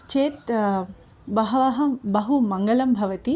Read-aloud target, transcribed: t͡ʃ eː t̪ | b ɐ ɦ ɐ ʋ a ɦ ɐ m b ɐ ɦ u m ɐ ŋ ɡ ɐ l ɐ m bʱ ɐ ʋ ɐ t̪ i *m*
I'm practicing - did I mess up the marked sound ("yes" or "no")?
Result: yes